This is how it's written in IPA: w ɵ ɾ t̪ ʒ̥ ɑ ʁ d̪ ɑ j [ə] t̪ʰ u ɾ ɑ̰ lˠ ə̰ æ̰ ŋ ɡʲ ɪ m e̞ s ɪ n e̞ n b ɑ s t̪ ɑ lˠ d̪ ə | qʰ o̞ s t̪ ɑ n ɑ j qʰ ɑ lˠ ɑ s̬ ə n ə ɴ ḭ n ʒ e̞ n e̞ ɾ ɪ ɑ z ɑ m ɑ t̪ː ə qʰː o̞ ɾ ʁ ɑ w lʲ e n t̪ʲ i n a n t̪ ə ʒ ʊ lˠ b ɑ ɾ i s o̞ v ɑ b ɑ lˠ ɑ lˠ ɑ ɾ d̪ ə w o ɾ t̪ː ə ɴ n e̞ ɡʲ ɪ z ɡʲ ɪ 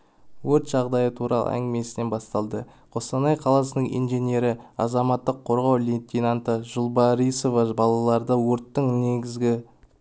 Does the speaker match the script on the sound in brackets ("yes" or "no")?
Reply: yes